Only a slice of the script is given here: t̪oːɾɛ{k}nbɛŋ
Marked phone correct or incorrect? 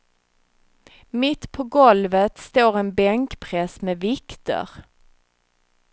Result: incorrect